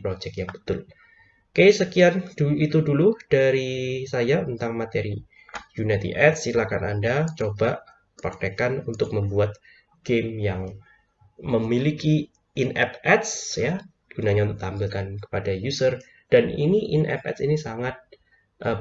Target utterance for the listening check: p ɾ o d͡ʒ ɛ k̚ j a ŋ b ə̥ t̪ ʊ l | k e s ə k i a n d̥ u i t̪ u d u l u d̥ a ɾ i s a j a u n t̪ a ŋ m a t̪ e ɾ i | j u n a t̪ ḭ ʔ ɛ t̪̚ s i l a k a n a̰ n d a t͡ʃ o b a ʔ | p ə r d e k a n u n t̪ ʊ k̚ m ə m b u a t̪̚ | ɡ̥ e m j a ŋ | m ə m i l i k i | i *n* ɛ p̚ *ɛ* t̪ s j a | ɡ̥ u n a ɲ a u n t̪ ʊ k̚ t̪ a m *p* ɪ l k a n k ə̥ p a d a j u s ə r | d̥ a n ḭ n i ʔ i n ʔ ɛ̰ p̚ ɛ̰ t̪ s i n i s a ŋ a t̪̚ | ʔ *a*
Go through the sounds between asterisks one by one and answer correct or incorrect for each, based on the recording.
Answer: correct, correct, incorrect: b, incorrect: ə

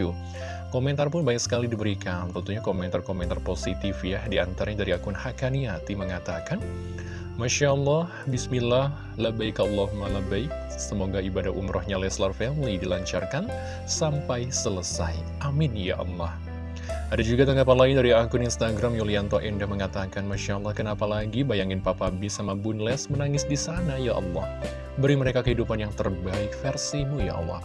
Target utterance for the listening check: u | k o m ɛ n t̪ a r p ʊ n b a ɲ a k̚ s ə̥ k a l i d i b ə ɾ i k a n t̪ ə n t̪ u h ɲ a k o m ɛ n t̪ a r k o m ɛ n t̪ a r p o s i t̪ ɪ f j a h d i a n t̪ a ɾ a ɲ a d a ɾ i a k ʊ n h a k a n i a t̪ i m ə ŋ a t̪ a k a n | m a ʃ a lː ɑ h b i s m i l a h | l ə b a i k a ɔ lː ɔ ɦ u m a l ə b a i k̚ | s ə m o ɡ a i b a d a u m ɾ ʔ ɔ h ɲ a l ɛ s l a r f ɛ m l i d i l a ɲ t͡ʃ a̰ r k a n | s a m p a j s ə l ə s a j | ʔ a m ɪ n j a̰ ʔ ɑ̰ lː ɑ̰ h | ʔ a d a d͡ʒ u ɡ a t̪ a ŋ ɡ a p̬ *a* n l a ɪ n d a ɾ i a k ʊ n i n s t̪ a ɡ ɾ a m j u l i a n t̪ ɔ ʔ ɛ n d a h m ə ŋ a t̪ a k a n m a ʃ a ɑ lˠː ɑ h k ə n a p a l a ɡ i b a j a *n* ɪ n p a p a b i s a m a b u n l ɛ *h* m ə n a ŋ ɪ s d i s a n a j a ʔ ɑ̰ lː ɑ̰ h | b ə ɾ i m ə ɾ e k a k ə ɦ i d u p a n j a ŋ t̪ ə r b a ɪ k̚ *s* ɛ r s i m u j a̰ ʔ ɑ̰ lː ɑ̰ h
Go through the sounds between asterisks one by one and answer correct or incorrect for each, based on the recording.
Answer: correct, incorrect: ŋ, incorrect: s, incorrect: f

